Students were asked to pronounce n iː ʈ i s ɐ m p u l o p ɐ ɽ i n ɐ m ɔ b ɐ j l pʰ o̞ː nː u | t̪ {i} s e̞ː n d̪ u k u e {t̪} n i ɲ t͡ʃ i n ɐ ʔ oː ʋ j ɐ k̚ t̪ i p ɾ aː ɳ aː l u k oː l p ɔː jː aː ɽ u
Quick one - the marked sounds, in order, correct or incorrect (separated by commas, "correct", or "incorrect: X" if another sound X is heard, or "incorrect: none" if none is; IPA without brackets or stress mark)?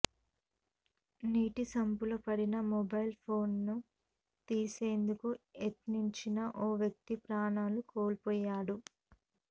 incorrect: iː, correct